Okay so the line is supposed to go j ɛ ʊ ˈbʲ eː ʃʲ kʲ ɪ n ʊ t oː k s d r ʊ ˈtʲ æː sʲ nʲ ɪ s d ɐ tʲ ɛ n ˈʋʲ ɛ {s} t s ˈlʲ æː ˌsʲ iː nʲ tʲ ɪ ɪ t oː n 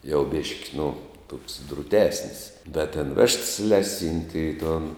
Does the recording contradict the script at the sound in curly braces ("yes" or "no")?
yes